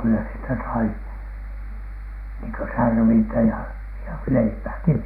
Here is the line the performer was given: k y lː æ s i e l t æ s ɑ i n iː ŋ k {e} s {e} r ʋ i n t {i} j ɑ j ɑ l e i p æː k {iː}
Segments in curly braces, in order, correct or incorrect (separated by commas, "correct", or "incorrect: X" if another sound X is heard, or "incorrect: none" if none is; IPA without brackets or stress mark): incorrect: ø, incorrect: æ, incorrect: æ, incorrect: i